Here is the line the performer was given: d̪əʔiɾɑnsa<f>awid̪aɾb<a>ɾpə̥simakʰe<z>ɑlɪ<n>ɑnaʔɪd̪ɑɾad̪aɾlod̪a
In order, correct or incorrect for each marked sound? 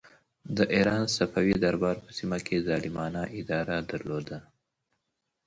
correct, incorrect: ɑ, correct, incorrect: m

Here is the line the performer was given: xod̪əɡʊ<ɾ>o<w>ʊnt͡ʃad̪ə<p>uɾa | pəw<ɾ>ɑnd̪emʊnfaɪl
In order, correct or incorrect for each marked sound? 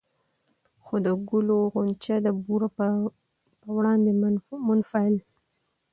incorrect: l, incorrect: ɣ, incorrect: b, incorrect: ɽ

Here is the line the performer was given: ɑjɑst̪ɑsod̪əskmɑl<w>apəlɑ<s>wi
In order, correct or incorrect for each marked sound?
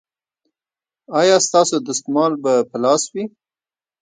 incorrect: b, correct

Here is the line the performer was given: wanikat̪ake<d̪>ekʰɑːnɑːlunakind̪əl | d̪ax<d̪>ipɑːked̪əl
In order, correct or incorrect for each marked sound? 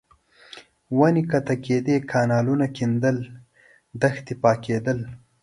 correct, incorrect: t̪

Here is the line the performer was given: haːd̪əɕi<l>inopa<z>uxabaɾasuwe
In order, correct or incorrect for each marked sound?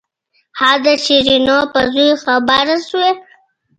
incorrect: ɾ, correct

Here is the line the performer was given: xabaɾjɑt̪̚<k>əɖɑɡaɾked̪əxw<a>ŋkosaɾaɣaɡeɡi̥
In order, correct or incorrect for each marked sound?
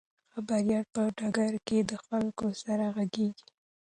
incorrect: p, correct

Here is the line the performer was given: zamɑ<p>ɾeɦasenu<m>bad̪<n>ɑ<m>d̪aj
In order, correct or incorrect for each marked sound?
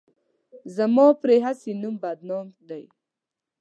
correct, correct, correct, correct

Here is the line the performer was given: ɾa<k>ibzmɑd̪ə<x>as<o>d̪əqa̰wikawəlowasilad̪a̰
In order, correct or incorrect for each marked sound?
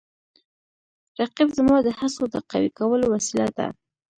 incorrect: q, incorrect: h, correct

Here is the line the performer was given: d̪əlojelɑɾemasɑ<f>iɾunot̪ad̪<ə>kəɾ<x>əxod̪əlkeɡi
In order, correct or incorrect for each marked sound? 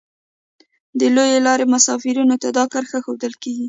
correct, incorrect: ɑ, correct

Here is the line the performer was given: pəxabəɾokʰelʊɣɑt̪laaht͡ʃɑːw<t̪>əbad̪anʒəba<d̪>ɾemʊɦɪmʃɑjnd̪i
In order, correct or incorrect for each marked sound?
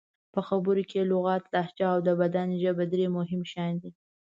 incorrect: d̪, correct

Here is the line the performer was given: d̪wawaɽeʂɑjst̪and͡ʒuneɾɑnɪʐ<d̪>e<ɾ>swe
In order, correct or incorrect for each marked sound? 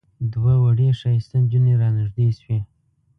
correct, incorrect: none

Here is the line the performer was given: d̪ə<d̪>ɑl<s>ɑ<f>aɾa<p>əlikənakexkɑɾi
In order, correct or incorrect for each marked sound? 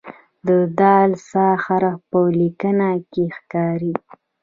correct, correct, incorrect: x, correct

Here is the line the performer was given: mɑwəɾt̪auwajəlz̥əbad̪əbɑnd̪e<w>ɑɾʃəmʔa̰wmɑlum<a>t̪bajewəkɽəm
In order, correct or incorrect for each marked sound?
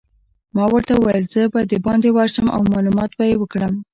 correct, incorrect: ɑ

